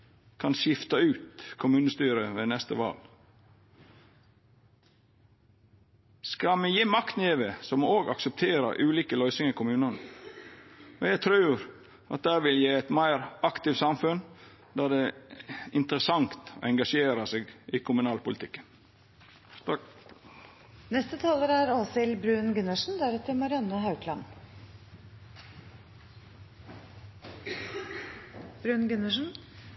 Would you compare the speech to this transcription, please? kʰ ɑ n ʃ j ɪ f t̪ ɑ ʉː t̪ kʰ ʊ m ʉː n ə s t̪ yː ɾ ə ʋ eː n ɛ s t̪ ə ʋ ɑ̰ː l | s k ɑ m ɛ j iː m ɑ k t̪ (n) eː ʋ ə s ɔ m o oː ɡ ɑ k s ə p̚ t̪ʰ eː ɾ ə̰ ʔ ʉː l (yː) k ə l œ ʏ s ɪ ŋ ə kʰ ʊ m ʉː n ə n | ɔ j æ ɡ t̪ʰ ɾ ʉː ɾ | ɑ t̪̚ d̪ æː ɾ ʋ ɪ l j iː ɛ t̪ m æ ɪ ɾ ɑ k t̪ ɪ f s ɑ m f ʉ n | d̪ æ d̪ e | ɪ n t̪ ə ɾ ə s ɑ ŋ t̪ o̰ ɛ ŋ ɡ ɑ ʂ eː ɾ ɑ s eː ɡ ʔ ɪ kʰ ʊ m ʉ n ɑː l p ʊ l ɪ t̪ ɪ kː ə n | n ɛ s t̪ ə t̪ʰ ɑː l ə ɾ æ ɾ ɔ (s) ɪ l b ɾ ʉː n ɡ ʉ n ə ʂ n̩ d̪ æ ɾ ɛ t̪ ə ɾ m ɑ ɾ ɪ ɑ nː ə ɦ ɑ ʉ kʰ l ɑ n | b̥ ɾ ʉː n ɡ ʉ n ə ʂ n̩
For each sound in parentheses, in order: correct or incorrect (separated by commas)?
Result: correct, incorrect, correct